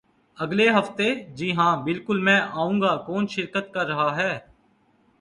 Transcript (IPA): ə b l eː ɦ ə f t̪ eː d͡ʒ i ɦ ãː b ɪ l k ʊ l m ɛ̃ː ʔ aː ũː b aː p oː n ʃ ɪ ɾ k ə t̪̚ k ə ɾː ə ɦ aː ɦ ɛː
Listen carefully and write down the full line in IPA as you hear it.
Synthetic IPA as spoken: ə ɡ l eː ɦ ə f t̪ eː d͡ʒ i ɦ ãː b ɪ l k ʊ l m ɛ̃ː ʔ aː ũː ɡ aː k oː n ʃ ɪ ɾ k ə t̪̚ k ə ɾː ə ɦ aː ɦ ɛː